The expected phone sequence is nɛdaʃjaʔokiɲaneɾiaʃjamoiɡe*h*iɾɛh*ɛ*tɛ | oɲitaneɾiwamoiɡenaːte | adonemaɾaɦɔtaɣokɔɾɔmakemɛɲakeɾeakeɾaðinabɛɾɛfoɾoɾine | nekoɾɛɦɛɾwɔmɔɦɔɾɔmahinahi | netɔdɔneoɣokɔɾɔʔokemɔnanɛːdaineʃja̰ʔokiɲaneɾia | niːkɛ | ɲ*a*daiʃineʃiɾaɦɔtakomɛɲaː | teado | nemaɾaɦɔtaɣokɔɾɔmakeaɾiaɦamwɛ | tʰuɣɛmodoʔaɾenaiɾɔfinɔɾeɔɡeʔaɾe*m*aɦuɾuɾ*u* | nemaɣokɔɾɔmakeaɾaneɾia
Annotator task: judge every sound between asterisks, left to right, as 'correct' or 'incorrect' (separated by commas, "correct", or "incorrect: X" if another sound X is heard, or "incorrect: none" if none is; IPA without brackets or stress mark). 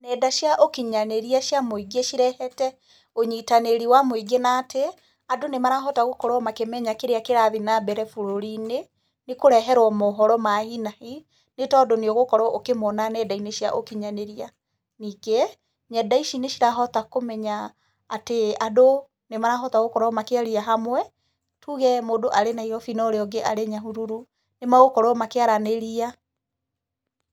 incorrect: ʃ, correct, incorrect: ɛ, incorrect: ɲ, correct